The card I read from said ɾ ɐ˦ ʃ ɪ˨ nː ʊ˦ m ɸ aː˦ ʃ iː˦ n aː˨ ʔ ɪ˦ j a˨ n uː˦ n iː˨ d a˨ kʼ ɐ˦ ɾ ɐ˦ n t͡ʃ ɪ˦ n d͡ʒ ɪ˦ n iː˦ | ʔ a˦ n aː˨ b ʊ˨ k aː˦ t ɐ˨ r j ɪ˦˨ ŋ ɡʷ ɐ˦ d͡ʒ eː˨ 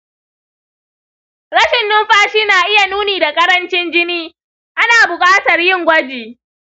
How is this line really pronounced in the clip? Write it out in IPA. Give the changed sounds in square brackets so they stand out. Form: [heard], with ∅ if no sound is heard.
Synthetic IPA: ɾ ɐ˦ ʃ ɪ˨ nː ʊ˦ m ɸ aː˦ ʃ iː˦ n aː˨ ʔ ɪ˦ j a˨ n uː˦ n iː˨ d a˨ kʼ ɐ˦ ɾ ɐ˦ n t͡ʃ ɪ˦ n d͡ʒ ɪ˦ n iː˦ | ʔ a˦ n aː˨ b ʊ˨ [kʼ] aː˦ t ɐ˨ r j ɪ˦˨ ŋ ɡʷ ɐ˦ d͡ʒ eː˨